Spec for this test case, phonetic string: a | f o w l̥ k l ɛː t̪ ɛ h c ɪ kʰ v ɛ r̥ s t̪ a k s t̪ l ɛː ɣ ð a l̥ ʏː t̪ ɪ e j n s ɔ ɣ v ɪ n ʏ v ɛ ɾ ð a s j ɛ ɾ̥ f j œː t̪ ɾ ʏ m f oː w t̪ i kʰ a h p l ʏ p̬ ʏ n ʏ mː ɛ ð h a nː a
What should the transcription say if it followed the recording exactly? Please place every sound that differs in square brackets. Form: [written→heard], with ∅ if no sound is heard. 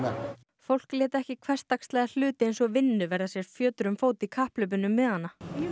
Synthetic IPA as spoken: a | f o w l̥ k l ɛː t̪ ɛ h c ɪ kʰ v ɛ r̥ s t̪ a k s t̪ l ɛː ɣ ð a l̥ ʏː t̪ ɪ e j n s ɔ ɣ v ɪ [n→nː] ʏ v ɛ ɾ ð a s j ɛ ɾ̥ f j œː t̪ ɾ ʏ m f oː w t̪ i kʰ a h p l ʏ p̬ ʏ n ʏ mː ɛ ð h a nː a